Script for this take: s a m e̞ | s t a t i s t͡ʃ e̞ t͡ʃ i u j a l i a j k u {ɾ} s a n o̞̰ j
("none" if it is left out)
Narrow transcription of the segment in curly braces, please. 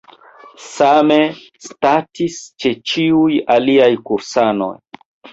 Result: ɾ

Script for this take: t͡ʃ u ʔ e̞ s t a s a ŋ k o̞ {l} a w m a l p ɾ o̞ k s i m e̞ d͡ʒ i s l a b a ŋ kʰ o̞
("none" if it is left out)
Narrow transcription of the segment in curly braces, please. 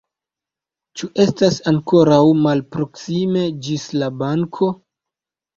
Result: ɾ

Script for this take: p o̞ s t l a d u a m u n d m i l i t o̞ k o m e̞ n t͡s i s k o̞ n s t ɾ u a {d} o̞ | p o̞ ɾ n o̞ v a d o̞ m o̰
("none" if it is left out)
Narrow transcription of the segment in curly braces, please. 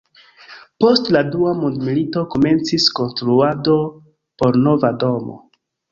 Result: d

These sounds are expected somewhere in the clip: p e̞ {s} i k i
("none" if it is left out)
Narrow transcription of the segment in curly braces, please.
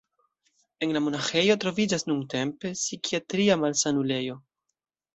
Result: s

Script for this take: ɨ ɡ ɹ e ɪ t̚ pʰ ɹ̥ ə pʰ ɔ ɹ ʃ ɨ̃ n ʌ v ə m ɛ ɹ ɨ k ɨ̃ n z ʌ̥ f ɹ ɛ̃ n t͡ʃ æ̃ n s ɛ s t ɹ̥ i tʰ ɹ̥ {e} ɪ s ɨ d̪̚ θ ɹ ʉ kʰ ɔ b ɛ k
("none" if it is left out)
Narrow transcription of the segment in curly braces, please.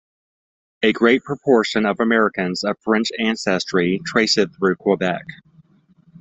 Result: e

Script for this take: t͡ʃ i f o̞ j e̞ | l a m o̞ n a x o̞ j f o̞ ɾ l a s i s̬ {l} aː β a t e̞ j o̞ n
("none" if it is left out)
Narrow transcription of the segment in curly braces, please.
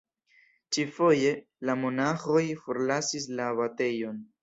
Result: l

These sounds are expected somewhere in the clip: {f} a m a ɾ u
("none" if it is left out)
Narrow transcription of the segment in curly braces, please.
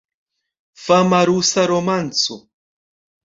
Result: f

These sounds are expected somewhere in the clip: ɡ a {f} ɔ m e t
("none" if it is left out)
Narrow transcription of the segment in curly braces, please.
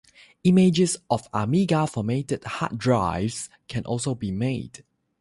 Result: f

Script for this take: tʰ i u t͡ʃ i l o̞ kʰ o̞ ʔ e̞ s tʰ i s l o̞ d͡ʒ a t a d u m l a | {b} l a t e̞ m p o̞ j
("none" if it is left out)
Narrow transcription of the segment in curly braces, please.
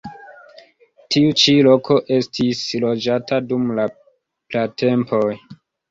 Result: p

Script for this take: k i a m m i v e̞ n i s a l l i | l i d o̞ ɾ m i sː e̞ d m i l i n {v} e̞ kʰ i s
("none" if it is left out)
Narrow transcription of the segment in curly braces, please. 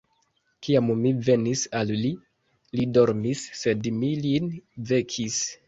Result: v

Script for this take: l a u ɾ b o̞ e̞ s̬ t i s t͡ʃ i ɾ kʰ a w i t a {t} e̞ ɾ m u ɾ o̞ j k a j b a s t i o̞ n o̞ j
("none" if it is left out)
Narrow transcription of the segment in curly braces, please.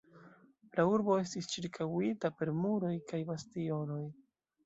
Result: p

